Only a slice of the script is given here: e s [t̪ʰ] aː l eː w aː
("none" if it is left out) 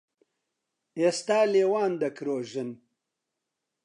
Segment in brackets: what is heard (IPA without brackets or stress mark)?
t̪